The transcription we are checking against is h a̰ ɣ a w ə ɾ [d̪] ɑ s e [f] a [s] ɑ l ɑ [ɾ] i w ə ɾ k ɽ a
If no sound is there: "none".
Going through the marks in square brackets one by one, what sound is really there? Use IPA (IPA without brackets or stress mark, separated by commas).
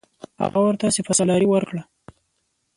t̪, f, s, ɾ